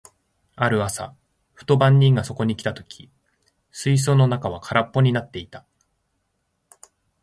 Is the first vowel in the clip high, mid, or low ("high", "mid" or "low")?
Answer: low